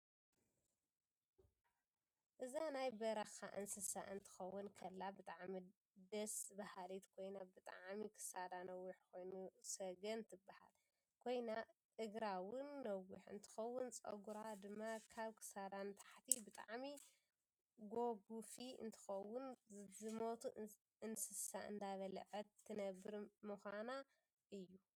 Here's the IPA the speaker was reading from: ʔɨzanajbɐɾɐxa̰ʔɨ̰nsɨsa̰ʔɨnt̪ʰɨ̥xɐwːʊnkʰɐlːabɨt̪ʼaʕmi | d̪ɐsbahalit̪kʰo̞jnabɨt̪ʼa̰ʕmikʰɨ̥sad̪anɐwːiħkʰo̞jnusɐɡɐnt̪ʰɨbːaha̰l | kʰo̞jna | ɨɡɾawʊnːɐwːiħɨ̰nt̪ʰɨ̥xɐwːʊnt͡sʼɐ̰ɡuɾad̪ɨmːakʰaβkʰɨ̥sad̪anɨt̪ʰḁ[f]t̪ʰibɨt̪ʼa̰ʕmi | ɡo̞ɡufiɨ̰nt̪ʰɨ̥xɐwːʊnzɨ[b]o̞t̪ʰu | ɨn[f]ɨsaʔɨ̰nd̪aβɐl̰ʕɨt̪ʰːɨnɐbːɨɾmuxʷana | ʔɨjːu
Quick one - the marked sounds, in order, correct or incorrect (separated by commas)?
incorrect, incorrect, incorrect